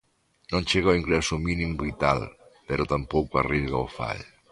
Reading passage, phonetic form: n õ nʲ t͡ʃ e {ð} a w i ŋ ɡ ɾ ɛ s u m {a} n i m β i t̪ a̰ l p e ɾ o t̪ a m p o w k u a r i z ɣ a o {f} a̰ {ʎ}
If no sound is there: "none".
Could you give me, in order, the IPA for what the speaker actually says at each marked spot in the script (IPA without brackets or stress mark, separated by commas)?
ɣ, i, f, ʎ